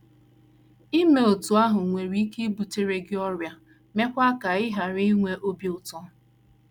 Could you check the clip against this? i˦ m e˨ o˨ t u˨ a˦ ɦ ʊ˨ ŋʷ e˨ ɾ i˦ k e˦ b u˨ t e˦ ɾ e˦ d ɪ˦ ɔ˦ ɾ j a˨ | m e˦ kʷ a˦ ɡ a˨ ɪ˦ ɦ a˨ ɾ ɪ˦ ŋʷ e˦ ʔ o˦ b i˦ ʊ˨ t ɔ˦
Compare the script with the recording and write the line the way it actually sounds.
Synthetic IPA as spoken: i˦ m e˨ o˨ t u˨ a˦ ɦ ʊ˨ ŋʷ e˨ ɾ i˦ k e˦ b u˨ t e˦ ɾ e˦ ɡ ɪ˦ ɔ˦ ɾ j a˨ | m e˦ kʷ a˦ k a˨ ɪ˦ ɦ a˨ ɾ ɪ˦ ŋʷ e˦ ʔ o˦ b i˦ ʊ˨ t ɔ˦